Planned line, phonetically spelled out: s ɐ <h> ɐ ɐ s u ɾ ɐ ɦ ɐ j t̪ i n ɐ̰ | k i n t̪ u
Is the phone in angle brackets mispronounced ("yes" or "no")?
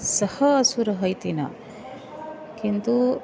no